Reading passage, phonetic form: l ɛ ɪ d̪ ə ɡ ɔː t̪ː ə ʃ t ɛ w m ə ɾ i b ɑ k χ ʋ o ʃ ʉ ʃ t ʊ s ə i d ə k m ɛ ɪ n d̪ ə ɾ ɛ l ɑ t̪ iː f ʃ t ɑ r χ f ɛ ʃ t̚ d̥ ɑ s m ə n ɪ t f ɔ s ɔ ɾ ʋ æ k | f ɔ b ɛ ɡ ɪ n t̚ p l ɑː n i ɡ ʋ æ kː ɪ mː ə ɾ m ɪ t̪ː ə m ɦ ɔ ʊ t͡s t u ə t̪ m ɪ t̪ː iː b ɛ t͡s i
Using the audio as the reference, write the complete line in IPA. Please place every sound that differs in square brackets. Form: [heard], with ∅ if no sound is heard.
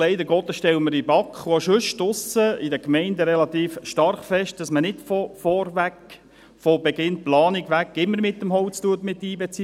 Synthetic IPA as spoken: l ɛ ɪ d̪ ə ɡ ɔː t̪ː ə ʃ t ɛ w m ə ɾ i b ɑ k χ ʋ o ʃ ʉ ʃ t ʊ s ə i d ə k m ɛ ɪ n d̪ ə ɾ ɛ l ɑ t̪ iː f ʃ t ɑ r χ f ɛ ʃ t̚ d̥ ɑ s m ə n ɪ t f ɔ [f] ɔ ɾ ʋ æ k | f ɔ b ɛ ɡ ɪ n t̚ p l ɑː n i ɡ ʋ æ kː ɪ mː ə ɾ m ɪ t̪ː ə m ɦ ɔ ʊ t͡s t u ə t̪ m ɪ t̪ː iː b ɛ t͡s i